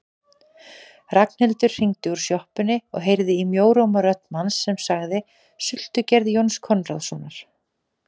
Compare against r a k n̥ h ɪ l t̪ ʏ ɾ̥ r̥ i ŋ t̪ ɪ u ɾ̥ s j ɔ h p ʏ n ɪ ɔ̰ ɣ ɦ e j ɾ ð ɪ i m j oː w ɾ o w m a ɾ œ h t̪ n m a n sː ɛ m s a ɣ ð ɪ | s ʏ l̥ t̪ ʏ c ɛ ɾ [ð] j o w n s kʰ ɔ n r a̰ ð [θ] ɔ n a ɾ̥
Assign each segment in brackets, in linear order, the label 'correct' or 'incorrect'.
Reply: correct, incorrect

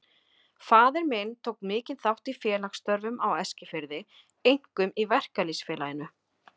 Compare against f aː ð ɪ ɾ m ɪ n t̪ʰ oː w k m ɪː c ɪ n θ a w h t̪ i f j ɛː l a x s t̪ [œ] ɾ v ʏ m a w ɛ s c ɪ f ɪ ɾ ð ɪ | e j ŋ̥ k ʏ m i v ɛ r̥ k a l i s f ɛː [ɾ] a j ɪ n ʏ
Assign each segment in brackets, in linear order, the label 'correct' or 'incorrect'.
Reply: correct, incorrect

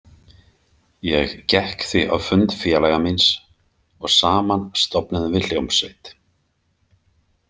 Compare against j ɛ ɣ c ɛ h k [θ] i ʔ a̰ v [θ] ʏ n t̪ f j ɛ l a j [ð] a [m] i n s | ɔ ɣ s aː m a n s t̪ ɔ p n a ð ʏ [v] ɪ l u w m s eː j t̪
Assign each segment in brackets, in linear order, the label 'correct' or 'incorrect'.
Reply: correct, incorrect, incorrect, correct, correct

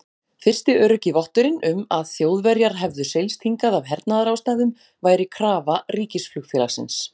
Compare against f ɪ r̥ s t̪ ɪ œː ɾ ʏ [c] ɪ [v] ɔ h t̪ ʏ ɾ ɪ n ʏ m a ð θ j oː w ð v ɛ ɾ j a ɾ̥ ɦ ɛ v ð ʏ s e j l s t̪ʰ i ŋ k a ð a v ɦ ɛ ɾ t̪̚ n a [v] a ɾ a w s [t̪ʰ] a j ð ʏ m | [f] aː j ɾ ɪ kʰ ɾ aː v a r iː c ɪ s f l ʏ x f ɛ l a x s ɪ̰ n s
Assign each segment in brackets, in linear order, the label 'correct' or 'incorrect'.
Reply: correct, correct, incorrect, incorrect, incorrect

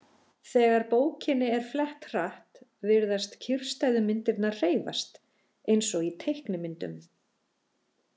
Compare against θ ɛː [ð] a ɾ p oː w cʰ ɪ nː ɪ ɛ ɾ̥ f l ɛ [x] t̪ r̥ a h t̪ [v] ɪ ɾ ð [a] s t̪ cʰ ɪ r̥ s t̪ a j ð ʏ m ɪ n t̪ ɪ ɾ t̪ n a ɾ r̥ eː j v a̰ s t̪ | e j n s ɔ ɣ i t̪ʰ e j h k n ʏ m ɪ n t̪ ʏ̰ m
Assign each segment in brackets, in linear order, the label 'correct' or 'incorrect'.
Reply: incorrect, incorrect, correct, correct

